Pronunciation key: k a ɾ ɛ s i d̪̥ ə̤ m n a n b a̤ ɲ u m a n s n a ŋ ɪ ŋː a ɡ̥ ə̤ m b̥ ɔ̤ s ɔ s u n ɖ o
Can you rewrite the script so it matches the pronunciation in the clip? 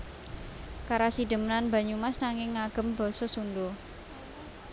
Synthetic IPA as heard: k a ɾ a s i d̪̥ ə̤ m n a n b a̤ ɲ u m a s n a ŋ ɪ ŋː a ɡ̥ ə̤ m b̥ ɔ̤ s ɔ s u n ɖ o

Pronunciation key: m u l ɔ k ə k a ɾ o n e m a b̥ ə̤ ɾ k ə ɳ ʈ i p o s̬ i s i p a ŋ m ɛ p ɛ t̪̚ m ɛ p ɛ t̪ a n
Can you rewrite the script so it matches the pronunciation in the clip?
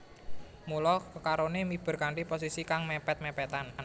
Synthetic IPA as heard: m u l ɔ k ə k a ɾ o n e m i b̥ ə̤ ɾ k a ɳ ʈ i p o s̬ i s i k a ŋ m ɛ p ɛ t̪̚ m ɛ p ɛ t̪ a n

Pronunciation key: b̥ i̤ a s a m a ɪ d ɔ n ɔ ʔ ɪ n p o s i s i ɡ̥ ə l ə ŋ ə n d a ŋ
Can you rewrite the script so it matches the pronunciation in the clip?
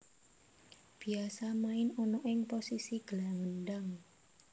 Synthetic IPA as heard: b̥ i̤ a s a m a ɪ n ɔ n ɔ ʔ ɪ ŋ p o s i s i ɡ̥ ə l a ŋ ə n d a ŋ

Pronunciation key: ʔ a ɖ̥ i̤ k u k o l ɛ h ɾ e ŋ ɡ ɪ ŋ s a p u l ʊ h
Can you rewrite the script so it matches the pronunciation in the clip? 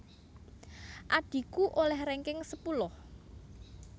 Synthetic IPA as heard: ʔ a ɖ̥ i̤ k u ʔ o l ɛ h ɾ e ŋ k ɪ ŋ s ə p u l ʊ h

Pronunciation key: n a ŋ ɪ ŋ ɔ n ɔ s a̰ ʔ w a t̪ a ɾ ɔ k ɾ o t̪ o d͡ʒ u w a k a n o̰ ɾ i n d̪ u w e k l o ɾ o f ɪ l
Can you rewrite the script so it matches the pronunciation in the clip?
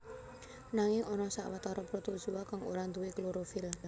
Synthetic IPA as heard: n a ŋ ɪ ŋ ɔ n ɔ s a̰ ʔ w a t̪ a ɾ ɔ p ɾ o t̪ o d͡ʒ u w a k a ŋ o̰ ɾ a n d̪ u w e k l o ɾ o f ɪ l

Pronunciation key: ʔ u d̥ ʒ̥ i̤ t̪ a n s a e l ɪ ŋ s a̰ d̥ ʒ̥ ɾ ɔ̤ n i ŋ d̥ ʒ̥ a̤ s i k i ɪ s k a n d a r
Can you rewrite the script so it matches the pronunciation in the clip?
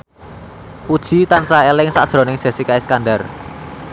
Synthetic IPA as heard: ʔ u d̥ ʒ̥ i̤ t̪ a n s a e l ɪ ŋ s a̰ d̥ ʒ̥ ɾ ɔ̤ n ɪ ŋ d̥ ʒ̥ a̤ s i k a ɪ s k a n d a r

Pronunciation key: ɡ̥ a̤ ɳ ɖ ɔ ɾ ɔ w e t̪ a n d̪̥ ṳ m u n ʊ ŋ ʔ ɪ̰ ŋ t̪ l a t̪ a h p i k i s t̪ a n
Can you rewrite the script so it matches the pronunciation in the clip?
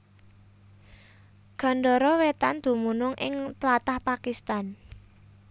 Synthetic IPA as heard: ɡ̥ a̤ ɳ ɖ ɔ ɾ ɔ w e t̪ a n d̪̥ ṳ m u n ʊ ŋ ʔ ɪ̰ ŋ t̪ l a t̪ a h p a k i s t̪ a n

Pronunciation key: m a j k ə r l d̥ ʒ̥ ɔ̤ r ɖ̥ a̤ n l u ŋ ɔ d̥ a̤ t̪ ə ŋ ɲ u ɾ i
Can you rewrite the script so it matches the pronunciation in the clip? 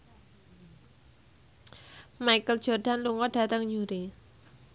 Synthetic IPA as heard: m a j k ə l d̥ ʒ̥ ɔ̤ r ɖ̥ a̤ n l u ŋ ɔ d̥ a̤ t̪ ə ŋ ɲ u ɾ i

